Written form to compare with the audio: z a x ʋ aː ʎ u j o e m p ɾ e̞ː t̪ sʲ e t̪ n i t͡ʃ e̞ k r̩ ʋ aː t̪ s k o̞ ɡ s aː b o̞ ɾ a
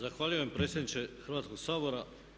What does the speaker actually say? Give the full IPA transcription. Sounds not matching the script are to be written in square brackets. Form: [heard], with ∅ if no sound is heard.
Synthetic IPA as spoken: z a x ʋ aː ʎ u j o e m p ɾ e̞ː t̪ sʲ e [d̪] n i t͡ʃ e̞ [x] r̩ ʋ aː t̪ s k o̞ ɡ s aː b o̞ ɾ a